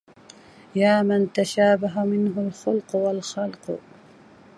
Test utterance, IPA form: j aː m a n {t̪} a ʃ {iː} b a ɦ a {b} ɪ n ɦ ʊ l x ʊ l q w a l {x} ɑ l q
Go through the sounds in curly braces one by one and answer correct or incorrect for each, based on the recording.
correct, incorrect: aː, incorrect: m, correct

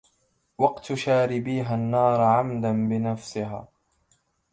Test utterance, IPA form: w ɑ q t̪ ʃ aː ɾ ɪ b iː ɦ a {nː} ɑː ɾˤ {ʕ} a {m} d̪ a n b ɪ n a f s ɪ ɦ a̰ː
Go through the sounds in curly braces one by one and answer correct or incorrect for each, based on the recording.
correct, correct, correct

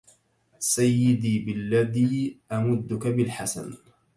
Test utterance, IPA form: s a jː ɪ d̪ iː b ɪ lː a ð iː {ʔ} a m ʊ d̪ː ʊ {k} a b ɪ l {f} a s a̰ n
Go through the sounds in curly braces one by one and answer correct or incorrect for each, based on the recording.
correct, correct, incorrect: ħ

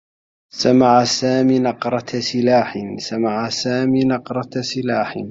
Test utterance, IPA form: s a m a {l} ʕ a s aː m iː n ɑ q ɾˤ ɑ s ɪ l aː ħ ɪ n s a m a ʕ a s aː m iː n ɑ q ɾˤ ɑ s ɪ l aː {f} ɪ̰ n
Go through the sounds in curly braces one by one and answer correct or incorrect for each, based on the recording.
incorrect: none, incorrect: ħ

